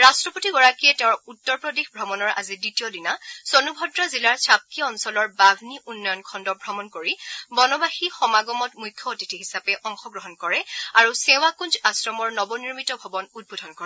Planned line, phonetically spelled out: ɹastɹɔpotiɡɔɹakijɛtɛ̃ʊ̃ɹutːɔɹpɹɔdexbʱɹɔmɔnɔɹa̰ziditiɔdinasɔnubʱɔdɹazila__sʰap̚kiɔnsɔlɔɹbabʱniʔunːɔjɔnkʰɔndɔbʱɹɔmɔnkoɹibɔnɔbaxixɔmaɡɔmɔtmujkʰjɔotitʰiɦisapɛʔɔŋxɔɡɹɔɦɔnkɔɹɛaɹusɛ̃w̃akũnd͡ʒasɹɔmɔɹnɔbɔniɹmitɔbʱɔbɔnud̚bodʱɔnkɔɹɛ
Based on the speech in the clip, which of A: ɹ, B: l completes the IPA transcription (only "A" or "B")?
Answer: A